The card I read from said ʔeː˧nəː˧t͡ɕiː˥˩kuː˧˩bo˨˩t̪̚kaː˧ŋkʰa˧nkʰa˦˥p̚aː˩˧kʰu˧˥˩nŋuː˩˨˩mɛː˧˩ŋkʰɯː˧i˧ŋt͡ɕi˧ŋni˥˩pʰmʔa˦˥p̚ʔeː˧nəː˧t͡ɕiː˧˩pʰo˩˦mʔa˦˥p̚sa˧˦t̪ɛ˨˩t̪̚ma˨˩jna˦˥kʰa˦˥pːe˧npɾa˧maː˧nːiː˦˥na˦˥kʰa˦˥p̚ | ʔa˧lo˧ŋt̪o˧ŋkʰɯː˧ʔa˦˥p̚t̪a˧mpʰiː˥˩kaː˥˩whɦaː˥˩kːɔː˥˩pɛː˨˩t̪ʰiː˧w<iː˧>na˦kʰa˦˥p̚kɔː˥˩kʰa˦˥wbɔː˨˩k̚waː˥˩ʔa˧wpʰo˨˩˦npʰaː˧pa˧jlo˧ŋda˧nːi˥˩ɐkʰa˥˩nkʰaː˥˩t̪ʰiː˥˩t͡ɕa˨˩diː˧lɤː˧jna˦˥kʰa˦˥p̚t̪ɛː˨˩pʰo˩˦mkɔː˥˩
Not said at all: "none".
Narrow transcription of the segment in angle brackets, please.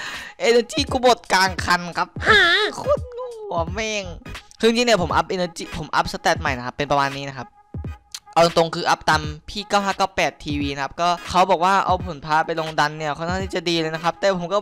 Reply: iː˧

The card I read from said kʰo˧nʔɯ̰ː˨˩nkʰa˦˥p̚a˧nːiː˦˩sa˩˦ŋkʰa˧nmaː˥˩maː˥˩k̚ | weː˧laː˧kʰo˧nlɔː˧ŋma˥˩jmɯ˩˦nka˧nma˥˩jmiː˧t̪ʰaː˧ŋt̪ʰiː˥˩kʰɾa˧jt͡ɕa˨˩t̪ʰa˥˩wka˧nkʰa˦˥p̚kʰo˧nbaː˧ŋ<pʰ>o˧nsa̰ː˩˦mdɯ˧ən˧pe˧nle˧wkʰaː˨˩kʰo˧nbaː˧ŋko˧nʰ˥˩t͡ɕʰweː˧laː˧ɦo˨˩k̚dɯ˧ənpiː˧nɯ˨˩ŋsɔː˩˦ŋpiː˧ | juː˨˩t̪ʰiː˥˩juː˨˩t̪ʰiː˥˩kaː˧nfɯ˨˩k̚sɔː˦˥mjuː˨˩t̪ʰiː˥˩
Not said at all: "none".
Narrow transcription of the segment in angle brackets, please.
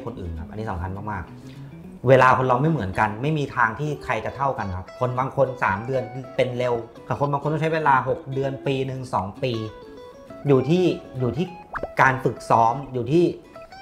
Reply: kʰ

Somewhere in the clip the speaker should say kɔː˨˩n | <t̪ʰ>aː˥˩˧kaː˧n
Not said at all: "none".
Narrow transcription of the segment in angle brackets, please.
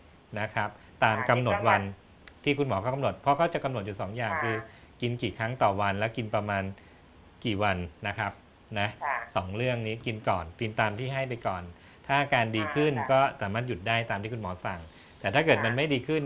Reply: t̪ʰ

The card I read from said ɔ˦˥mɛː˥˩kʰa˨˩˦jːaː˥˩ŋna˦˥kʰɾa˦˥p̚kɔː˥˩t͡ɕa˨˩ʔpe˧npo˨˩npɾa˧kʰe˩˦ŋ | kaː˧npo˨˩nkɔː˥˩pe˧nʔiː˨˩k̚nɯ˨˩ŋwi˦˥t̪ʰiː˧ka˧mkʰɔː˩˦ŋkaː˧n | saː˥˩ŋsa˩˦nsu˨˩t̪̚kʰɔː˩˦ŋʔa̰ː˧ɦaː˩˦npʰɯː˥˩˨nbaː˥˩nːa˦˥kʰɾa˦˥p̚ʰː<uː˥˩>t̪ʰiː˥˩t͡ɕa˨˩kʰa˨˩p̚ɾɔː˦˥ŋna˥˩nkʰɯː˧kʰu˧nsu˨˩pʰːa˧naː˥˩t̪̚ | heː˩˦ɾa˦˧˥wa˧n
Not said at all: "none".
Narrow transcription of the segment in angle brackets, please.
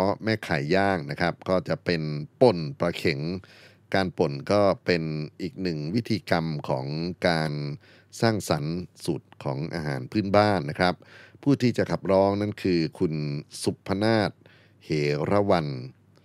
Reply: uː˥˩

